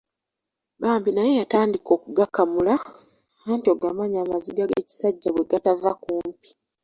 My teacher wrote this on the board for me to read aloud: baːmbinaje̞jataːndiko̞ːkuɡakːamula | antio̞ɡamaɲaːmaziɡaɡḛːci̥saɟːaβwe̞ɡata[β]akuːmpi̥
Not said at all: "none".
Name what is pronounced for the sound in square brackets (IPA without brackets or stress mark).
v